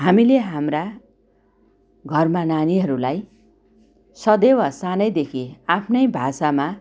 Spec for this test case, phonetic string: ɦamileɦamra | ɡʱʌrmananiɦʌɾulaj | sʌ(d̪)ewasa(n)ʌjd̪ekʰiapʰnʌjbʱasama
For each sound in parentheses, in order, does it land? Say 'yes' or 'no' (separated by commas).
yes, yes